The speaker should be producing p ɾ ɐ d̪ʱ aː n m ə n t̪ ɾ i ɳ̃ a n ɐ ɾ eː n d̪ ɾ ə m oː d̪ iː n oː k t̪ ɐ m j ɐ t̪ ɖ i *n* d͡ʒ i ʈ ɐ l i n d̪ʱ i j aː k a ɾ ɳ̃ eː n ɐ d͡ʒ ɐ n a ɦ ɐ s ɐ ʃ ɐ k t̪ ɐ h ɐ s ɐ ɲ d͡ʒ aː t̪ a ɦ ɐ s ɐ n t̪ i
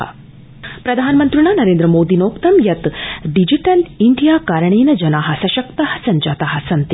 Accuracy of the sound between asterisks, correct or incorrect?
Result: incorrect: none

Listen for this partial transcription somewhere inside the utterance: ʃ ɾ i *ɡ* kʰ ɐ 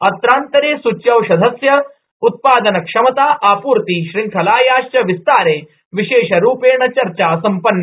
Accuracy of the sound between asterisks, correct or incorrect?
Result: incorrect: ŋ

